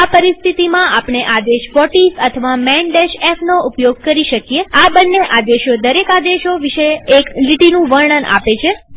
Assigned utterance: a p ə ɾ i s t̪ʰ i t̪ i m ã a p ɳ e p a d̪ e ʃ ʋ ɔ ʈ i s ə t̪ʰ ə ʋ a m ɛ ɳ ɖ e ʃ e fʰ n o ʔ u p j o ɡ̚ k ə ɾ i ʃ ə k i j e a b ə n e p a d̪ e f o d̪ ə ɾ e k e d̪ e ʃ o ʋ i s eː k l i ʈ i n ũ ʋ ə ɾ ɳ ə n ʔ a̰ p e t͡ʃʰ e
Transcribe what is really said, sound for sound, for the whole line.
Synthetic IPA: a p ə ɾ i s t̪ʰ i t̪ i m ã a p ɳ e ʔ a d̪ e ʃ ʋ ɔ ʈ i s ə t̪ʰ ə ʋ a m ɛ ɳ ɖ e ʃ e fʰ n o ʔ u p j o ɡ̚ k ə ɾ i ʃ ə k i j e a b ə nː e ʔ a d̪ e ʃ o d̪ ə ɾ e k a d̪ e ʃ o ʋ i ʃ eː k l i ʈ i n ũ ʋ ə ɾ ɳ ə n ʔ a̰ p e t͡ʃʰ e